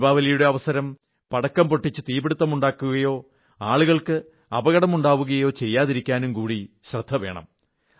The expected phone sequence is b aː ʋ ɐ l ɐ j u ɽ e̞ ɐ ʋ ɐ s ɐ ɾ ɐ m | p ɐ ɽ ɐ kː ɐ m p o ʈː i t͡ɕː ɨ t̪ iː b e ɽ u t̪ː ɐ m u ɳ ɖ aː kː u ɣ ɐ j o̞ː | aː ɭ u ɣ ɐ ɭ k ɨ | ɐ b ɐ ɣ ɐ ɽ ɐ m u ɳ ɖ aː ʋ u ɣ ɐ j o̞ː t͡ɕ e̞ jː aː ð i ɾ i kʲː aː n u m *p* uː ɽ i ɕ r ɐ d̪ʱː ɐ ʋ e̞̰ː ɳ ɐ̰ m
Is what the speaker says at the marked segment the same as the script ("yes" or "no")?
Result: no